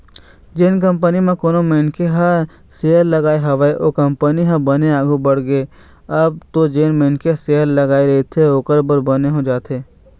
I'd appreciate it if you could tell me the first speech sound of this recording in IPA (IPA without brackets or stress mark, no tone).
d͡ʒ